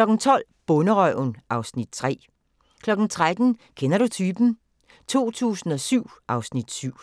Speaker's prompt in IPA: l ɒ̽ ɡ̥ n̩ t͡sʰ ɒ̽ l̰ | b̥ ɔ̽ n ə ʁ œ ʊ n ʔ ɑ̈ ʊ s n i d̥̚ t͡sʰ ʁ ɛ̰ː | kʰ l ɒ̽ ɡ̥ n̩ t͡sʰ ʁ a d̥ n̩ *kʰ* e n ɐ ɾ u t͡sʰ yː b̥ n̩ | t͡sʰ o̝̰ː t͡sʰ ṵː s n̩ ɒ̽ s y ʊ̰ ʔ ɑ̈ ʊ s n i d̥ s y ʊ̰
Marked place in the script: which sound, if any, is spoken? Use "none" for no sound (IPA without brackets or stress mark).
kʰ